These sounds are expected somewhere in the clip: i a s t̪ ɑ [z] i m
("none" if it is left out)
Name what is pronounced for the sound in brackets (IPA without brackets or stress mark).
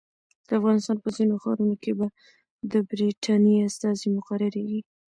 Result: z